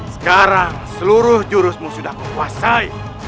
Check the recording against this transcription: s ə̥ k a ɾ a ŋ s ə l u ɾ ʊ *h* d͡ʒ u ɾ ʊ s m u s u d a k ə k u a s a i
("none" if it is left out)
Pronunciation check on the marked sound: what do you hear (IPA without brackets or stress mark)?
h